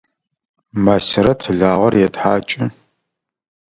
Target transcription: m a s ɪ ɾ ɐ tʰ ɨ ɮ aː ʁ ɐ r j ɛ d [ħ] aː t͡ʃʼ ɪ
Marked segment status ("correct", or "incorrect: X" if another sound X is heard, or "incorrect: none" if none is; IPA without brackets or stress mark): correct